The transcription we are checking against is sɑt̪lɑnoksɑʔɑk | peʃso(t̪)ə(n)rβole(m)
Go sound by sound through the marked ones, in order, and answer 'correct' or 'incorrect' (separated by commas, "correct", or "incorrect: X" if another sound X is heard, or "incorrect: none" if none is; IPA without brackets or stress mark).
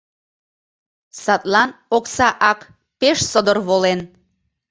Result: incorrect: d̪, incorrect: none, incorrect: n